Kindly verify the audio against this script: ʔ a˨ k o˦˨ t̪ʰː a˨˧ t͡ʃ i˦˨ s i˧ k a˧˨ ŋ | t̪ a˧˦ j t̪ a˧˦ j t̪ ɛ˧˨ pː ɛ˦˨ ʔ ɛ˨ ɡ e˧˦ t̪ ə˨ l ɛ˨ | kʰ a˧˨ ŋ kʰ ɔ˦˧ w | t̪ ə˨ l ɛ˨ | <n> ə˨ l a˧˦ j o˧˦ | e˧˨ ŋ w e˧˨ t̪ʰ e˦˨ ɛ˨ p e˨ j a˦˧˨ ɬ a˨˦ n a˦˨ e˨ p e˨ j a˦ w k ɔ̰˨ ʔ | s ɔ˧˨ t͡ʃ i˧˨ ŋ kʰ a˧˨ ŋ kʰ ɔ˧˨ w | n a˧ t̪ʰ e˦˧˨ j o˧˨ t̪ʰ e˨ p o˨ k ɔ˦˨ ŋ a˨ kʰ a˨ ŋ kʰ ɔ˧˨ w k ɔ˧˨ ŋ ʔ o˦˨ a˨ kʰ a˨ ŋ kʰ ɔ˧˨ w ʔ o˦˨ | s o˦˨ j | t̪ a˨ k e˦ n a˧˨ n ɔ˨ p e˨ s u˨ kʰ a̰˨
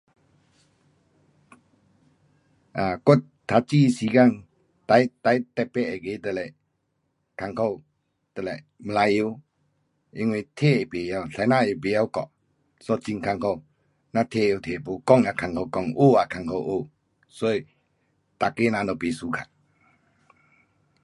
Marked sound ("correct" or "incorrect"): incorrect